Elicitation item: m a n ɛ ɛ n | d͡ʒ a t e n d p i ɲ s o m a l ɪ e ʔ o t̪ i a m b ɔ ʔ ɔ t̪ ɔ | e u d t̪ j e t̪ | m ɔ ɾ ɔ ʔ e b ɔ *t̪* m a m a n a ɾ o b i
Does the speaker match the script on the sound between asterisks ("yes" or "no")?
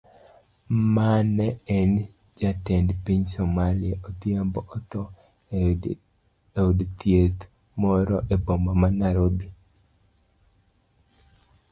no